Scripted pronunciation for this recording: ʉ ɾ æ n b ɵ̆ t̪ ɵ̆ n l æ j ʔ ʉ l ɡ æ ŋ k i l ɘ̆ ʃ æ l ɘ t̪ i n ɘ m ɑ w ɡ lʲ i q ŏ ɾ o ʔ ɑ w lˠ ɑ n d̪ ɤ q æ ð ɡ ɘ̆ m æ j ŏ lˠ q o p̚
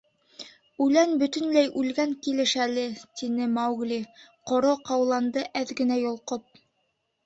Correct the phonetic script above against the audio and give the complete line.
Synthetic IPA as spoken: ʉ l æ n b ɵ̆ t̪ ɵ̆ n l æ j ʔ ʉ l ɡ æ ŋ k i l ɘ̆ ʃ æ l ɘ t̪ i n ɘ m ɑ w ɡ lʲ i q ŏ ɾ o q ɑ w lˠ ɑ n d̪ ɤ ʔ æ ð ɡ ɘ̆ n æ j ŏ lˠ q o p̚